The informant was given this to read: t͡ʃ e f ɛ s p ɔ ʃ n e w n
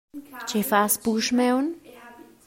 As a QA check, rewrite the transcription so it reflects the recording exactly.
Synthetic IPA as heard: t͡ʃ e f a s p u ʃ m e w n